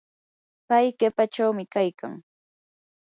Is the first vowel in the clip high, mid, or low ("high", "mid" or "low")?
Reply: low